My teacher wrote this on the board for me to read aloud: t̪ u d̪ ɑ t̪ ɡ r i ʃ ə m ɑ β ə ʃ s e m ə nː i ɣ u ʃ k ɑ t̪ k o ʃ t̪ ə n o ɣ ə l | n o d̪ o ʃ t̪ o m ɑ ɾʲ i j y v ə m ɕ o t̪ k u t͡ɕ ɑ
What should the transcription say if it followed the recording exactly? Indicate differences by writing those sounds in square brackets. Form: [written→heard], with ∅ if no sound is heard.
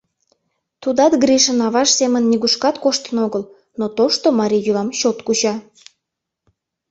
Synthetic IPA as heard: t̪ u d̪ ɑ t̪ ɡ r i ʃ ə [m→n] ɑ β [ə→ɑ] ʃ s e m ə nː i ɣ u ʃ k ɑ t̪ k o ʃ t̪ ə n o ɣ ə l | n o [d̪→t̪] o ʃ t̪ o m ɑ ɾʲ i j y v [ə→ɑ] m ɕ o t̪ k u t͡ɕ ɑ